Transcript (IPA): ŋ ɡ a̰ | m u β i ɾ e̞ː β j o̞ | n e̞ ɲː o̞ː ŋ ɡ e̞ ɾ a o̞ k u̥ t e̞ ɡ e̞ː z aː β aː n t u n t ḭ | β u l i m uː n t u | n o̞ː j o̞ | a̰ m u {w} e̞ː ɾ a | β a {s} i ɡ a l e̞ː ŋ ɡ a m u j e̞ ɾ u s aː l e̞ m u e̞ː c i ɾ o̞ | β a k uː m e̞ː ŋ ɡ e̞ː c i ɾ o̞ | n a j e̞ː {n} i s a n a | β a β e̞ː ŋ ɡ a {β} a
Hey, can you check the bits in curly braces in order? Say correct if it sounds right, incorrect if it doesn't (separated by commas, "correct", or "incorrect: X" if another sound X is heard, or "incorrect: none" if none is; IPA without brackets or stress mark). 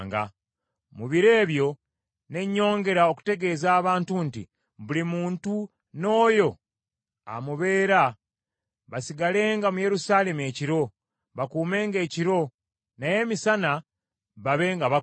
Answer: incorrect: β, correct, incorrect: m, correct